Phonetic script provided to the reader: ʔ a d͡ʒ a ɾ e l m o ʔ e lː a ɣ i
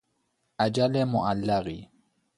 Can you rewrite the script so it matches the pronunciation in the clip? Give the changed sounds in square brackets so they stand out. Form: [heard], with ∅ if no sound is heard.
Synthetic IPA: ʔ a d͡ʒ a [l] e [∅] m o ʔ [a] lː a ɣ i